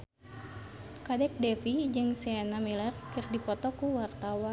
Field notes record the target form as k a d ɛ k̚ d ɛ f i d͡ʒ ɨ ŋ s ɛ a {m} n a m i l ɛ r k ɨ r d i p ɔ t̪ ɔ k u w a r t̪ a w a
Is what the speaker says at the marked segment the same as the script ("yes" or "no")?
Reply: no